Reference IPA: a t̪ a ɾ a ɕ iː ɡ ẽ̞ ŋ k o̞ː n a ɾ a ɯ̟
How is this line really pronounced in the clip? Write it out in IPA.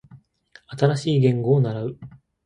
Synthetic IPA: a t̪ a ɾ a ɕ iː ɡ ẽ̞ ŋ ɡ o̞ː n a ɾ a ɯ̟